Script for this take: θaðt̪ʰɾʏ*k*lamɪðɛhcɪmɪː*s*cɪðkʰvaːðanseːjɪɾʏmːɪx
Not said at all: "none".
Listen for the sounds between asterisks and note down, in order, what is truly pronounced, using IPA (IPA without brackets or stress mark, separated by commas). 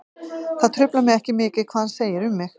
p, none